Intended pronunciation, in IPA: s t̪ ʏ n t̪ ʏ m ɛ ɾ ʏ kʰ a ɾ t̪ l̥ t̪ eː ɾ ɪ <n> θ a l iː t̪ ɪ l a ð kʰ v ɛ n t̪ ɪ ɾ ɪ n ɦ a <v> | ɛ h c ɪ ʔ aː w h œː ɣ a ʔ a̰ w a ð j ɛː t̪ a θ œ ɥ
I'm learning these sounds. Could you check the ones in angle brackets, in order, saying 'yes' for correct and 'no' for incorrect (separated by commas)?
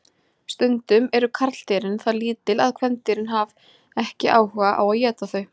yes, yes